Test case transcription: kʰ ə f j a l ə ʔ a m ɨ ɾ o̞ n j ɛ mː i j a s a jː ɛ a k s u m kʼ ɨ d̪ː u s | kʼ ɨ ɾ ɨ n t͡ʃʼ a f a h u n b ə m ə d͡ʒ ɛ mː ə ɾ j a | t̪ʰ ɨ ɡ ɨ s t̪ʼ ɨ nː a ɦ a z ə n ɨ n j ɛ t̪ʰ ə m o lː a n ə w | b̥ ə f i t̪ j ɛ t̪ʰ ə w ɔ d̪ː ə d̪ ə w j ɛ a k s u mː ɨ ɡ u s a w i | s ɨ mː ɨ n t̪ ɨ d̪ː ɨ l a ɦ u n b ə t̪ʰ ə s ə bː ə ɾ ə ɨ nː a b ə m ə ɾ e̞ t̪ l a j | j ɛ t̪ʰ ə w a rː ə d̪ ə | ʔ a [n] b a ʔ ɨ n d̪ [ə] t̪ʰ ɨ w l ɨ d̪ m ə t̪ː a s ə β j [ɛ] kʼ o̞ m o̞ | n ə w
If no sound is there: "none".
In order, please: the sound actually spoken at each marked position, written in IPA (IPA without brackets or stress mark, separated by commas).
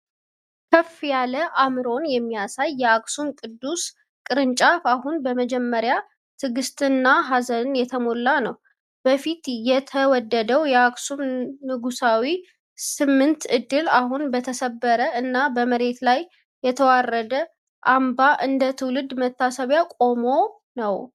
m, ə, a